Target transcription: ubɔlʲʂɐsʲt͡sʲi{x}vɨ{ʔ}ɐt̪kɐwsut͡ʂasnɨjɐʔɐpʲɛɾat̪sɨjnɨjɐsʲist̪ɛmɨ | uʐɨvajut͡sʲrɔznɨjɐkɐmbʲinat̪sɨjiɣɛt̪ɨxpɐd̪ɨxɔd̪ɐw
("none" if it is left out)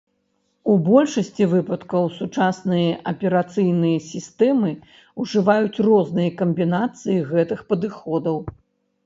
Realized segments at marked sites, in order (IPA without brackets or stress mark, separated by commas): none, p